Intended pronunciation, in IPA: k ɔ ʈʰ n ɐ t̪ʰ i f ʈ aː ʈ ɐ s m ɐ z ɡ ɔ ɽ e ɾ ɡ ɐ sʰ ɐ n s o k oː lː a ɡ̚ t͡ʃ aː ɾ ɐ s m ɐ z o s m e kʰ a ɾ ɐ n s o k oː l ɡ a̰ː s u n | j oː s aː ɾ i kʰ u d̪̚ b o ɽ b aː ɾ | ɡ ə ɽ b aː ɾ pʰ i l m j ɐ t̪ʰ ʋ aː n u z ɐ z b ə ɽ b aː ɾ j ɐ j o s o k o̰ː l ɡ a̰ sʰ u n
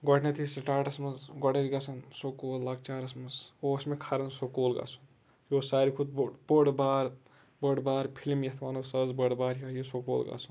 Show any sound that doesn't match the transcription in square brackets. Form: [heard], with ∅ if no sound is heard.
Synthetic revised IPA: [ɡ] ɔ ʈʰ n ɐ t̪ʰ i [s] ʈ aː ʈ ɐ s m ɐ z ɡ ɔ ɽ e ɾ ɡ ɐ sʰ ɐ n s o k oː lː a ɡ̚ t͡ʃ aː ɾ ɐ s m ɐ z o s m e kʰ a ɾ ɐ n s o k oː l ɡ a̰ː s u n | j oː s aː ɾ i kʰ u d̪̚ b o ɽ b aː ɾ | [b] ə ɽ b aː ɾ pʰ i l m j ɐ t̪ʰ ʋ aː n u [s] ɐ z b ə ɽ b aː ɾ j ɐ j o s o k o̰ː l ɡ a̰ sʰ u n